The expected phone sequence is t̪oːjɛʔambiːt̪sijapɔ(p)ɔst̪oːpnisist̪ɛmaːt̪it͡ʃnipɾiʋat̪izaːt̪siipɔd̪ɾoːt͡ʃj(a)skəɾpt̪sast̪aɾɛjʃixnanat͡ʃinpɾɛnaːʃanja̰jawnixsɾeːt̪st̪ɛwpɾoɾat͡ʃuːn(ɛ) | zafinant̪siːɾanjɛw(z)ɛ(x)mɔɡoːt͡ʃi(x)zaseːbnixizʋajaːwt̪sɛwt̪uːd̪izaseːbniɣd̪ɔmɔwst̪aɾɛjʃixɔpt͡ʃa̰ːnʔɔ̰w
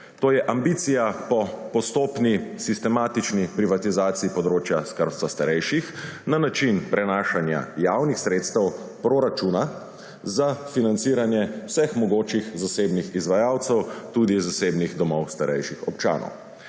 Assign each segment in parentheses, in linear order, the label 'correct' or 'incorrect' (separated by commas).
correct, correct, incorrect, incorrect, correct, correct